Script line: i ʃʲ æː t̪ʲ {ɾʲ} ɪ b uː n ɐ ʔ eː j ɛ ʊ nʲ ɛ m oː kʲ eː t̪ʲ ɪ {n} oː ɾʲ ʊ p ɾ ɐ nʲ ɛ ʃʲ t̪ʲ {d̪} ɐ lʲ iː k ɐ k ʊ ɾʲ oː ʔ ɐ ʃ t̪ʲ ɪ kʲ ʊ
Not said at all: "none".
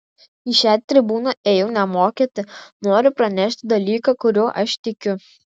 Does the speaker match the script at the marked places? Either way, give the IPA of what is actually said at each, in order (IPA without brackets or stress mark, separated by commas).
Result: ɾʲ, n, d̪